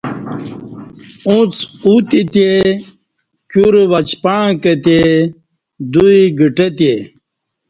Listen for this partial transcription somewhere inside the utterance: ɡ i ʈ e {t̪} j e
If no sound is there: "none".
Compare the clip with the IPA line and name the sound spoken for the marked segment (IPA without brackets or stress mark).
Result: t̪